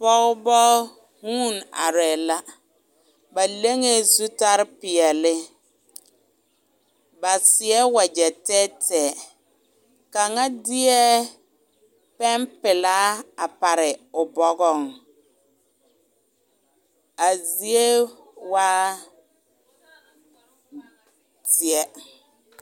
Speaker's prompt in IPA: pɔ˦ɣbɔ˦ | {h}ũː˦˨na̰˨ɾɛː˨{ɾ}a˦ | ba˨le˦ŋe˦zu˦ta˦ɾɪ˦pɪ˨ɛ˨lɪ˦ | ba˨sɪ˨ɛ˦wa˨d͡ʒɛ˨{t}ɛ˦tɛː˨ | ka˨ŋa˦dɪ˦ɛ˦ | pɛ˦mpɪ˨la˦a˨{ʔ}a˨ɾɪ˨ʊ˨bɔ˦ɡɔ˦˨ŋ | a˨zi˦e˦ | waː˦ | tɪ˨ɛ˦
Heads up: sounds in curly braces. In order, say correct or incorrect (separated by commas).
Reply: correct, incorrect, correct, incorrect